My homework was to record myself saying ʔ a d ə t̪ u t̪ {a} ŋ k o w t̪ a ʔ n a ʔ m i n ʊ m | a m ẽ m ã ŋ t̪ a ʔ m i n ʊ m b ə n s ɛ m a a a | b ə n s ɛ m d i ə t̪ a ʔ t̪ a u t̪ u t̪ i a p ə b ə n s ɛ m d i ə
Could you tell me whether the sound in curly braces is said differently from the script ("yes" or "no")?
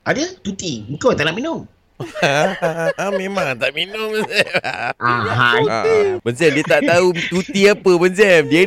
yes